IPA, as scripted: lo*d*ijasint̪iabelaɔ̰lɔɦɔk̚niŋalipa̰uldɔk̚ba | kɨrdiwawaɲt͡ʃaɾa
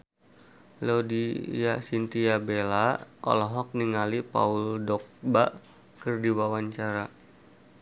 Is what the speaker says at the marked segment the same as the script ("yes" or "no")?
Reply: yes